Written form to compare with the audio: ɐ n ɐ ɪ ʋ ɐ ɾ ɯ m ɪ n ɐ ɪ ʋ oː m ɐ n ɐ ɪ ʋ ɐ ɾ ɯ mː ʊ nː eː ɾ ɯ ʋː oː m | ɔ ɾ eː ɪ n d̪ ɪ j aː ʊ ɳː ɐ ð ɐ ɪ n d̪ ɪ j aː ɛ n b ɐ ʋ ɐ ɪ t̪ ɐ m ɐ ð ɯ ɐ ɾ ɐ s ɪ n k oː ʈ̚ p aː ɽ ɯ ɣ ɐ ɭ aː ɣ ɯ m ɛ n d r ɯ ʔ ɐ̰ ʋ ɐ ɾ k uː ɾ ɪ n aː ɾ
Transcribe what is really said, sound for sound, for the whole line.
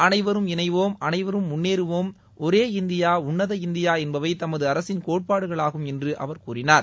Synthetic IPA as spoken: ɐ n ɐ ɪ ʋ ɐ ɾ ɯ m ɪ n ɐ ɪ ʋ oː m ɐ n ɐ ɪ ʋ ɐ ɾ ɯ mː ʊ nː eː ɾ ɯ ʋ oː m | ɔ ɾ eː ɪ n d̪ ɪ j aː ʊ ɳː ɐ ð ɐ ɪ n d̪ ɪ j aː ɛ n b ɐ ʋ ɐ ɪ t̪ ɐ m ɐ ð ɯ ɐ ɾ ɐ s ɪ n k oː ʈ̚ p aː ɽ ɯ ɣ ɐ ɭ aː ɣ ɯ m ɛ n d r ɯ ʔ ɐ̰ ʋ ɐ ɾ k uː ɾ ɪ n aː ɾ